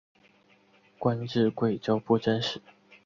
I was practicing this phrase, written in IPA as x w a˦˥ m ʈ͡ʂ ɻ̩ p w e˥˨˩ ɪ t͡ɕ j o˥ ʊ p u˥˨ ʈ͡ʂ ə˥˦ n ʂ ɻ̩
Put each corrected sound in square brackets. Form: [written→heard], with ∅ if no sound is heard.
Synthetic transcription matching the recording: [x→k] w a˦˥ [m→n] ʈ͡ʂ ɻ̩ [p→k] w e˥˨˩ ɪ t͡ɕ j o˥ ʊ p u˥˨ ʈ͡ʂ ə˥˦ n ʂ ɻ̩